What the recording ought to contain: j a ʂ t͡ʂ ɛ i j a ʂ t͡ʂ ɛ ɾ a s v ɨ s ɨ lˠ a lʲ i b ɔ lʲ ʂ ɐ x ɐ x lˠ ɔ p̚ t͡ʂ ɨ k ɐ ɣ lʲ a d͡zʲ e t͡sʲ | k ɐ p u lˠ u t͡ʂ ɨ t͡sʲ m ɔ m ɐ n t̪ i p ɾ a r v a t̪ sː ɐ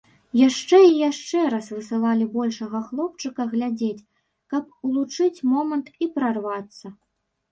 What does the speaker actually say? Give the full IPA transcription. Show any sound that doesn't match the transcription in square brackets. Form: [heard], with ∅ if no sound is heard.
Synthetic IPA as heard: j a ʂ t͡ʂ ɛ i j a ʂ t͡ʂ ɛ ɾ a s v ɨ s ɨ lˠ a lʲ i b ɔ lʲ ʂ ɐ [ɣ] ɐ x lˠ ɔ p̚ t͡ʂ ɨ k ɐ ɣ lʲ a d͡zʲ e t͡sʲ | k ɐ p u lˠ u t͡ʂ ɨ t͡sʲ m ɔ m ɐ n t̪ i p ɾ a r v a t̪ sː ɐ